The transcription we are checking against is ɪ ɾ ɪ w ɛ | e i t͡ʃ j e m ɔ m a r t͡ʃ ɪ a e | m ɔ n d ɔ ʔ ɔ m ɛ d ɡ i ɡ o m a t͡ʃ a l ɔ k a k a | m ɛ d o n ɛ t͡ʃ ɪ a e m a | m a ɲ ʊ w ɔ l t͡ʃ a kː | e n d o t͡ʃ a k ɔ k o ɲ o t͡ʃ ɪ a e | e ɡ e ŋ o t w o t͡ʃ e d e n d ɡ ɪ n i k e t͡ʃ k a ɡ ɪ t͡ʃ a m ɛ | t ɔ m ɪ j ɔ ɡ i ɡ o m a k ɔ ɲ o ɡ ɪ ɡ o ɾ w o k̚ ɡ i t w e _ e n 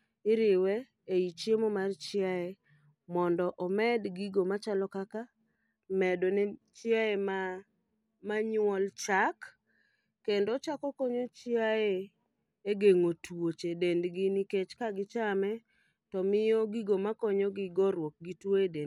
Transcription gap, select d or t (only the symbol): d